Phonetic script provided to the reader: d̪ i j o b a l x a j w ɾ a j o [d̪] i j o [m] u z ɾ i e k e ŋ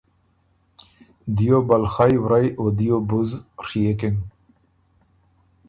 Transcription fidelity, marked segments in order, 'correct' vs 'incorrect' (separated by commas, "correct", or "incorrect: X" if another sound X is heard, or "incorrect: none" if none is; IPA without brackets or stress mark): correct, incorrect: b